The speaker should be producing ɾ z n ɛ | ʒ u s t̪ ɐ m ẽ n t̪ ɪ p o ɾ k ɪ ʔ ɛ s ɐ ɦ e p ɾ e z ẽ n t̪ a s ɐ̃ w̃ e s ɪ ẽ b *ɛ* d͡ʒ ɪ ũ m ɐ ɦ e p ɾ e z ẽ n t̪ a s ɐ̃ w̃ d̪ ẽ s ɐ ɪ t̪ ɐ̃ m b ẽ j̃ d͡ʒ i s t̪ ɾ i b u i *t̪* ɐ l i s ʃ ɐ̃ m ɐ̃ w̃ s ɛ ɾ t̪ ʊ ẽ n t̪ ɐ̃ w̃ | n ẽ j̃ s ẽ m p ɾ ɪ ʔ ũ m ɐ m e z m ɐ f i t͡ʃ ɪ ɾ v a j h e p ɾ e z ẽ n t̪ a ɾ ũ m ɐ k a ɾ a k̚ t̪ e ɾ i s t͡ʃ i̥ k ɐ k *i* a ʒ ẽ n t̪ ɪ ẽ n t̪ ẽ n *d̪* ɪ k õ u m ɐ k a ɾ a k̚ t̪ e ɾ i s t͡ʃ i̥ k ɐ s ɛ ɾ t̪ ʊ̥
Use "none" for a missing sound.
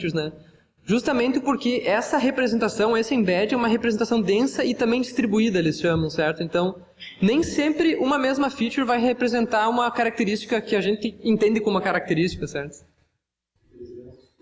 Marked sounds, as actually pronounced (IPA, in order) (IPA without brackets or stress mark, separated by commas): ɛ, d̪, ɪ, d̪